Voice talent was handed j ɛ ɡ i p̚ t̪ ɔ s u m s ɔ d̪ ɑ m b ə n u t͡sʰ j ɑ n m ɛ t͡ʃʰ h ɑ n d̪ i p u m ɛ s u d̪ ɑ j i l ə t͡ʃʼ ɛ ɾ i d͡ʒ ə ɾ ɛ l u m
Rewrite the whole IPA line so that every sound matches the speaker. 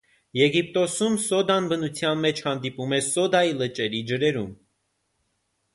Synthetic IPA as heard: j ɛ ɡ i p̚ t̪ ɔ s u m s ɔ d̪ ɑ n b ə n u t͡sʰ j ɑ n m ɛ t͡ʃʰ h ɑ n d̪ i p u m ɛ s ɔ d̪ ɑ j i l ə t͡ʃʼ ɛ ɾ i d͡ʒ ə ɾ ɛ ɾ u m